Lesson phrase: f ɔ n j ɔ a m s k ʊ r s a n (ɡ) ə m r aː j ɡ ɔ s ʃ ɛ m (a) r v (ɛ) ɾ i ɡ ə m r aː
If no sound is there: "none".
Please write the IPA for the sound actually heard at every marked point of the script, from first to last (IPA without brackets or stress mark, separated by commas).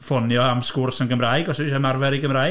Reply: ɡ, a, ɛ